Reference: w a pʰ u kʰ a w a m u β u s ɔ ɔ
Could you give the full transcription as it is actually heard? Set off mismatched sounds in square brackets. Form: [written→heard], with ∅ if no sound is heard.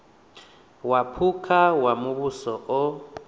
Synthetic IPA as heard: w a pʰ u kʰ a w a m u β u s ɔ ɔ